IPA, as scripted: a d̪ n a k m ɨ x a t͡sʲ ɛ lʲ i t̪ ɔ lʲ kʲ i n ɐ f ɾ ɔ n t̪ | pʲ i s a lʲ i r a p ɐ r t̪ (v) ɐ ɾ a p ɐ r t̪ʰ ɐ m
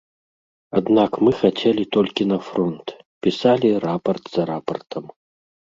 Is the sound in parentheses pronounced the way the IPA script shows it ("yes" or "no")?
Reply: no